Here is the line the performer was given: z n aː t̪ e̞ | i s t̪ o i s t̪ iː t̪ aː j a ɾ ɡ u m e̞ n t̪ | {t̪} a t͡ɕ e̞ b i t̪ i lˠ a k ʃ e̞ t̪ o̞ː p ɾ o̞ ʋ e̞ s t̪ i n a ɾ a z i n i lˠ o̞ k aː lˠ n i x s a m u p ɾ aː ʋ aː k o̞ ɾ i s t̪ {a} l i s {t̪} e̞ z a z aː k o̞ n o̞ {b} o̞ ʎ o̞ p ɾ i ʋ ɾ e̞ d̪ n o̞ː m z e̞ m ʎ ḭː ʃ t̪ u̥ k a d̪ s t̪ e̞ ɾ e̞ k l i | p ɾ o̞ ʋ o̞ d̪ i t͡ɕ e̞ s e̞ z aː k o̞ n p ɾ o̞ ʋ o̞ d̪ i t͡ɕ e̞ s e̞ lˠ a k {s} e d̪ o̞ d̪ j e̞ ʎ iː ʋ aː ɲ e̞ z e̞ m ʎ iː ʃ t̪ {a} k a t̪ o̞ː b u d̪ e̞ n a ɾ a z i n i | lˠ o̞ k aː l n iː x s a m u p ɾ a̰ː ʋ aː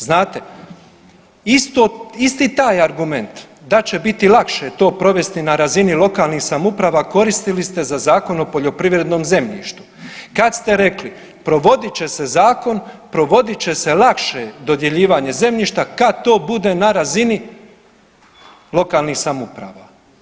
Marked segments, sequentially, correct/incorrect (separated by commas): incorrect, incorrect, correct, incorrect, incorrect, correct